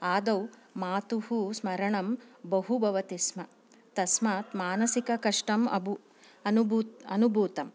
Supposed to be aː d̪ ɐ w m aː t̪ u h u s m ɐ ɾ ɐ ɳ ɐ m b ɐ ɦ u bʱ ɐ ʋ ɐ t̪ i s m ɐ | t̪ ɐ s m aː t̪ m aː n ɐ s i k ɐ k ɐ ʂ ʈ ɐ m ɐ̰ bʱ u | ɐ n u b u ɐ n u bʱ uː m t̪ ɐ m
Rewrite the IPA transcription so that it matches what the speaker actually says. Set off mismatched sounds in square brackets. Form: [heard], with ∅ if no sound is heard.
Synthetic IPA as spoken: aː d̪ ɐ w m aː t̪ u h u s m ɐ ɾ ɐ ɳ ɐ m b ɐ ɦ u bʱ ɐ ʋ ɐ t̪ i s m ɐ | t̪ ɐ s m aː t̪ m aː n ɐ s i k ɐ k ɐ ʂ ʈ ɐ m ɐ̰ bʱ u | ɐ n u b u ɐ n u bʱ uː [∅] t̪ ɐ m